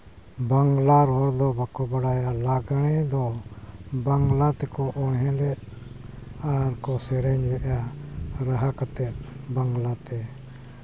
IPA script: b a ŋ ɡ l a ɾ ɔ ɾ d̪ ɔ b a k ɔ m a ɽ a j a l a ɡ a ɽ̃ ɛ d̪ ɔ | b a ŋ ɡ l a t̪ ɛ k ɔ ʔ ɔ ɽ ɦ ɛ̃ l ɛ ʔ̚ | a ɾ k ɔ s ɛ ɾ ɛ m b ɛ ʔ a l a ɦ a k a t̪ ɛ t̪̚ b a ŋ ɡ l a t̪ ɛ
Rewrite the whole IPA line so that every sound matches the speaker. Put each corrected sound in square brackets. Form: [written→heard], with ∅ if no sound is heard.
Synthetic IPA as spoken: b a ŋ ɡ l a ɾ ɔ ɾ d̪ ɔ b a k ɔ [m→b] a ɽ a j a l a ɡ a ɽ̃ ɛ d̪ ɔ | b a ŋ ɡ l a t̪ ɛ k ɔ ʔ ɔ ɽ ɦ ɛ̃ l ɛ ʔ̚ | a ɾ k ɔ s ɛ ɾ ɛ [m→ɲ] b ɛ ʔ a [l→ɾ] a ɦ a k a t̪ ɛ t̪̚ b a ŋ ɡ l a t̪ ɛ

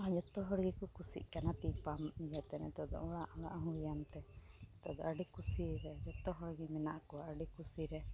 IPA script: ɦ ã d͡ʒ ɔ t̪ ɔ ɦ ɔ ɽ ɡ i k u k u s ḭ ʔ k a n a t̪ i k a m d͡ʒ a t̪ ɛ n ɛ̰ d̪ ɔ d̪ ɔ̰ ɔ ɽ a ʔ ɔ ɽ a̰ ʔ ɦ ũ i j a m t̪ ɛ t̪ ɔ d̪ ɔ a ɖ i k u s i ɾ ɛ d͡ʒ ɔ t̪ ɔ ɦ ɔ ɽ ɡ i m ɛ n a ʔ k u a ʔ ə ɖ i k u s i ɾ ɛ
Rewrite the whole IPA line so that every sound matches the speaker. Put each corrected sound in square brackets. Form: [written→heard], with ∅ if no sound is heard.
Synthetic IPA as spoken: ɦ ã d͡ʒ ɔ t̪ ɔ ɦ ɔ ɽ ɡ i k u k u s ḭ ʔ k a n a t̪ i [k→p] a m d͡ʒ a t̪ ɛ n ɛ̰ [d̪→t̪] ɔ d̪ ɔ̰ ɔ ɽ a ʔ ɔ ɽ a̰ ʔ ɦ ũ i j a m t̪ ɛ t̪ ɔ d̪ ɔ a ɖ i k u s i ɾ ɛ d͡ʒ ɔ t̪ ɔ ɦ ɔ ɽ ɡ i m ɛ n a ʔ k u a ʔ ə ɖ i k u s i ɾ ɛ

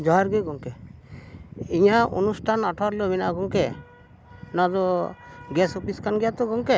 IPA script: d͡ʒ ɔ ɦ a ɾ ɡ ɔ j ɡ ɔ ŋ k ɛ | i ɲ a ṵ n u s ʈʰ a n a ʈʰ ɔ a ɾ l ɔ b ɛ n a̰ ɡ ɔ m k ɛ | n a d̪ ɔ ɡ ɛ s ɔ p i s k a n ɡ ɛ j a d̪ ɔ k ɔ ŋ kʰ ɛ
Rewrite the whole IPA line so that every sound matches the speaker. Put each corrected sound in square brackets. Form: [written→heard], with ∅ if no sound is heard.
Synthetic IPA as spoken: d͡ʒ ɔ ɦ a ɾ ɡ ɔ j ɡ ɔ ŋ k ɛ | i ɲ a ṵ n u s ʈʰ a n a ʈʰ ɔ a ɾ l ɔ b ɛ n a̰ ɡ ɔ [m→ŋ] k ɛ | n a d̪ ɔ ɡ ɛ s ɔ p i s k a n ɡ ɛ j a [d̪→t̪] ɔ [k→ɡ] ɔ ŋ [kʰ→k] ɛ

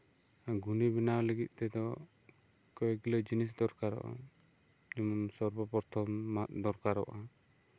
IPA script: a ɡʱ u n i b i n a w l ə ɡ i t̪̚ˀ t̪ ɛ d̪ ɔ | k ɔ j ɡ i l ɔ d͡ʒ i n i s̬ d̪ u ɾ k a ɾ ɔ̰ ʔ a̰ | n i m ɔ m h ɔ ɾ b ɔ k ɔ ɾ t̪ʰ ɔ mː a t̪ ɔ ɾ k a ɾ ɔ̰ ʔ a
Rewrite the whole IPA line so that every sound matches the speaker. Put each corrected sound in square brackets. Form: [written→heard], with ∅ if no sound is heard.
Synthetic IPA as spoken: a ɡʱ u n i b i n a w l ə ɡ i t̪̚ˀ t̪ ɛ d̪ ɔ | k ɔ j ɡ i l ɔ d͡ʒ i n i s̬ d̪ [u→ɔ] ɾ k a ɾ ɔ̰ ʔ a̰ | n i m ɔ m [h→s] ɔ ɾ b ɔ [k→p] ɔ ɾ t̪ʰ ɔ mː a [t̪→d̪] ɔ ɾ k a ɾ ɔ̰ ʔ a

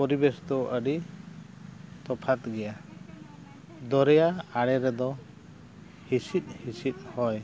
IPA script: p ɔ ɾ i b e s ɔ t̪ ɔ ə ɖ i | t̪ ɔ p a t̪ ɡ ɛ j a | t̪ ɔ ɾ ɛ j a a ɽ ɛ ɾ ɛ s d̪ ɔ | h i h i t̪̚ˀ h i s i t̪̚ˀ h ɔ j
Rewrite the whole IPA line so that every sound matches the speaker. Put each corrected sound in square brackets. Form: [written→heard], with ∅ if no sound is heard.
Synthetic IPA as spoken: p ɔ ɾ i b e s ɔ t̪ ɔ ə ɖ i | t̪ ɔ [p→pʰ] a t̪ ɡ ɛ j a | [t̪→d̪] ɔ ɾ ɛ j a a ɽ ɛ ɾ ɛ [s→∅] d̪ ɔ | h i [h→s] i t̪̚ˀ h i s i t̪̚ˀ h ɔ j

